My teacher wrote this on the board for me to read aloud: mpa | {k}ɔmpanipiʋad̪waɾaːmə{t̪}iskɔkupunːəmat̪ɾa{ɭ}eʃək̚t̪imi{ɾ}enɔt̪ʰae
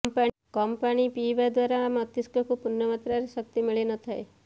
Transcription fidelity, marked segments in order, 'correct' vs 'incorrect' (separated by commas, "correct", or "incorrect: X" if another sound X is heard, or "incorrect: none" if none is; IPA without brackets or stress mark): correct, correct, incorrect: ɾ, incorrect: ɭ